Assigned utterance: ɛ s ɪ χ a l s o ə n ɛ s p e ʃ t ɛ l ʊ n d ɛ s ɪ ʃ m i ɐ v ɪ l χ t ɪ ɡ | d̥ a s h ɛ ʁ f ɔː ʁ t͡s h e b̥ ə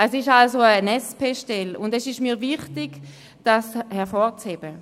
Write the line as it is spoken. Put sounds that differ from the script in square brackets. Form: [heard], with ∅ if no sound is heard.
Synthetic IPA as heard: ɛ s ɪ [ʃ] a l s o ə n ɛ s p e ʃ t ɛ l ʊ n d ɛ s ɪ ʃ m [iː] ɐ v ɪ [∅] χ t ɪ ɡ | d̥ a s h ɛ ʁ f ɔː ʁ t͡s h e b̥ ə